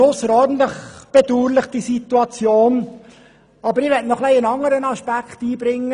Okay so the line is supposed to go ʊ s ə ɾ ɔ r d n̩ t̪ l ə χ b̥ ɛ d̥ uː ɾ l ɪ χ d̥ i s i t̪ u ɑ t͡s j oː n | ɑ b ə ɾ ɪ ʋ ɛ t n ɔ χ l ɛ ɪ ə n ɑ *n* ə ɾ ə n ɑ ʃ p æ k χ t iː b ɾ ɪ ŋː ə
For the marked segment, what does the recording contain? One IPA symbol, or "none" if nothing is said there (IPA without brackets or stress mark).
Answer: ŋ